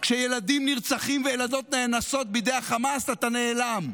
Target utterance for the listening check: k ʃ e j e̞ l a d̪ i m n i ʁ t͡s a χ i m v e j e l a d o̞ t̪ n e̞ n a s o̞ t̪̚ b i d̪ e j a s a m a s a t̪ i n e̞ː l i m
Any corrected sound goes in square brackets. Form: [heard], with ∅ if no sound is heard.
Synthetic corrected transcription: k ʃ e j e̞ l a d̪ i m n i ʁ t͡s a χ i m v e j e l a d o̞ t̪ n e̞ n a s o̞ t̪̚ b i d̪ e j a [χ] a m a s a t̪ [a] n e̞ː l [a] m